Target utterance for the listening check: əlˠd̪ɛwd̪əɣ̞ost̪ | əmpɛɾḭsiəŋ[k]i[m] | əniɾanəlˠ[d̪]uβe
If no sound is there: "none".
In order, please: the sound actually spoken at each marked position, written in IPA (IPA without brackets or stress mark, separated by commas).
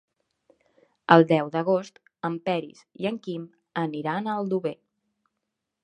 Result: k, m, d̪